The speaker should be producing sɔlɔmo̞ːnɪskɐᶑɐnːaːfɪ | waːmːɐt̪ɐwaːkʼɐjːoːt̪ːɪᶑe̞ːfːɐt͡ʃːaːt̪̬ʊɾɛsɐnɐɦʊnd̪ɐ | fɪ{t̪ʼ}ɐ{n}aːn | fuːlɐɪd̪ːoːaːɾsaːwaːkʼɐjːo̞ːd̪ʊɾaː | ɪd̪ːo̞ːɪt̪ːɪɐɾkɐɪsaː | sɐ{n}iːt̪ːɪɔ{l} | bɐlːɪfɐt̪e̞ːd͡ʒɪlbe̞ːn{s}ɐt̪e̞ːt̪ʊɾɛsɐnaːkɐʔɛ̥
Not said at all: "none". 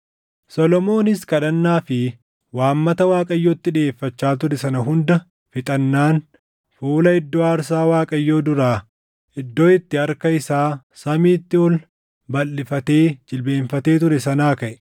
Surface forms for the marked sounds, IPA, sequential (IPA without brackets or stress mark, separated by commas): t̪ʼ, nː, m, l, f